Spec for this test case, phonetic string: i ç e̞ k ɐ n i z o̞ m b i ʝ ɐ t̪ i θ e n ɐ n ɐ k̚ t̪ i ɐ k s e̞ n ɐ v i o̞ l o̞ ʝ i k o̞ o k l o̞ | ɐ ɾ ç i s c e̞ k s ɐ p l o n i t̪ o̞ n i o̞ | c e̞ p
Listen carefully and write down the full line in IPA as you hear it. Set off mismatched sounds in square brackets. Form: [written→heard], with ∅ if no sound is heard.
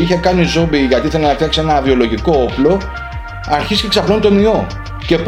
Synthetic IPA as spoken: i ç e̞ k ɐ n i z o̞ m b i ʝ ɐ t̪ i θ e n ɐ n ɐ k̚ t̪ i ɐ k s e̞ n ɐ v i o̞ l o̞ ʝ i k o̞ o [k→p] l o̞ | ɐ ɾ ç i s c e̞ k s ɐ p l o n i t̪ o̞ n i o̞ | c e̞ p